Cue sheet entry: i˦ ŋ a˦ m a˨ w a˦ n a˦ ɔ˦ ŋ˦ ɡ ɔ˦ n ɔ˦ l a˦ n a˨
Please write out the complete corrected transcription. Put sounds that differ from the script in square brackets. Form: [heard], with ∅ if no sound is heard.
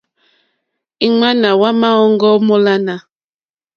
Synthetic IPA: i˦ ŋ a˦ [n] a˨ w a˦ [m] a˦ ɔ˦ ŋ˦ ɡ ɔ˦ [m] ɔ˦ l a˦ n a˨